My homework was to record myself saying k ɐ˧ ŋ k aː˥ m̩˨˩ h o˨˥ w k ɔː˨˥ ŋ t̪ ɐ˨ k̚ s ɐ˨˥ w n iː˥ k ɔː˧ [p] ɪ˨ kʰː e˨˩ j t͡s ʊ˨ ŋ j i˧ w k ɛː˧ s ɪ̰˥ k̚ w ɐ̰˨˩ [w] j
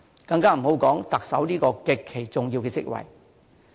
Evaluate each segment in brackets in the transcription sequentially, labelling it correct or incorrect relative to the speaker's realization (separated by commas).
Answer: incorrect, incorrect